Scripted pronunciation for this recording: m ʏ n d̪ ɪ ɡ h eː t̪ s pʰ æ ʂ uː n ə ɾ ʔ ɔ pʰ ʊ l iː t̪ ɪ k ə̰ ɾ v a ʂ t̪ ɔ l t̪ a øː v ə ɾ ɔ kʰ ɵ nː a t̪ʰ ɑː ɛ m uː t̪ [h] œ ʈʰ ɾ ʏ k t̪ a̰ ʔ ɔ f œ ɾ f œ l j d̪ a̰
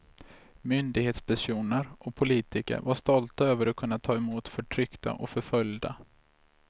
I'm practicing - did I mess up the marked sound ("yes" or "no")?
yes